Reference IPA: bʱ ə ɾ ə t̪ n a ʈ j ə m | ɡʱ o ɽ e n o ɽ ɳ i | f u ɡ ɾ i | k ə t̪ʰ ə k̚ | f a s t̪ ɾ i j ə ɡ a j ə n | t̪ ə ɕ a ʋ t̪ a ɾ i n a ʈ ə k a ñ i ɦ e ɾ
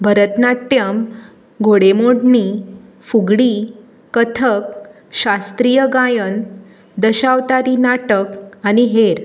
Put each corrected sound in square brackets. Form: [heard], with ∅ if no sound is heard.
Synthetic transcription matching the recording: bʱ ə ɾ ə t̪ n a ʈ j ə m | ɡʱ o ɽ e [m] o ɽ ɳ i | f u ɡ [ɽ] i | k ə t̪ʰ ə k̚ | [ɕ] a s t̪ ɾ i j ə ɡ a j ə n | [d̪] ə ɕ a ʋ t̪ a ɾ i n a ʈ ə k a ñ i ɦ e ɾ